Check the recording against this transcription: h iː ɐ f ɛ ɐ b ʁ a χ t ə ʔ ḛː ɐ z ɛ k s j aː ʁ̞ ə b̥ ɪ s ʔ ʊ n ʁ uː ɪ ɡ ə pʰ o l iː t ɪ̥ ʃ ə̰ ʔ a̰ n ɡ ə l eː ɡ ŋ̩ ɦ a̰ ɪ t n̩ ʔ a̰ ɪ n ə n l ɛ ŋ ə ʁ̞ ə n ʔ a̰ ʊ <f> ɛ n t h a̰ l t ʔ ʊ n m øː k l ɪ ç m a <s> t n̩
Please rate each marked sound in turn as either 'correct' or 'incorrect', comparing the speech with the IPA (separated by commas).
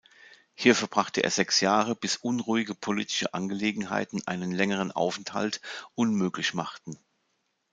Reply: correct, incorrect